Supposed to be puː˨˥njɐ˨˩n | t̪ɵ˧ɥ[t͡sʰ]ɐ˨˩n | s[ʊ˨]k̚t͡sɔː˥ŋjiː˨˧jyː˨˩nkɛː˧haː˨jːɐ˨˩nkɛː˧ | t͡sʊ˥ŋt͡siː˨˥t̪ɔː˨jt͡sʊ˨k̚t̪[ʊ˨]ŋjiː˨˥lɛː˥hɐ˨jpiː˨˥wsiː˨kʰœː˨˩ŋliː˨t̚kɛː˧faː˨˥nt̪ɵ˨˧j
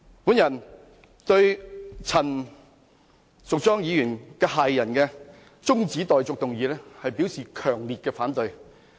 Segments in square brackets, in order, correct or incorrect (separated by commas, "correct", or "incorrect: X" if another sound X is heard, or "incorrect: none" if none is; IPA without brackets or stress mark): correct, correct, correct